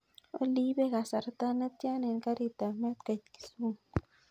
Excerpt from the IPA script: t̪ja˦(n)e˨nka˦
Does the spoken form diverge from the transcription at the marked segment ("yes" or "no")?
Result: no